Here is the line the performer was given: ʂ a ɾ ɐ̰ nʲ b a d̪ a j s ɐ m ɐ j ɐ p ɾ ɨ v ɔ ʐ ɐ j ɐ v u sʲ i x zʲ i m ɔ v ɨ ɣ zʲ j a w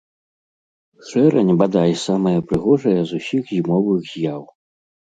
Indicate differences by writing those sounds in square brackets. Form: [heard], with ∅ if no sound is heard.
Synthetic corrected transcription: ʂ [ɛ] ɾ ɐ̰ nʲ b a d̪ a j s [a] m ɐ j ɐ p ɾ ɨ [ɣ] ɔ ʐ ɐ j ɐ [z] u sʲ i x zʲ i m ɔ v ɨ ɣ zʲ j a w